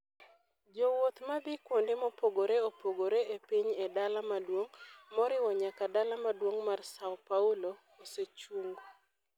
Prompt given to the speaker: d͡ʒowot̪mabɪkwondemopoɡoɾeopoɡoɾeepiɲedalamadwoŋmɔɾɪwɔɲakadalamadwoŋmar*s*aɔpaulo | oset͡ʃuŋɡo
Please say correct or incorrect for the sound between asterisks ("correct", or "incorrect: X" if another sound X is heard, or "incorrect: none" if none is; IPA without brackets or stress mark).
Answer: correct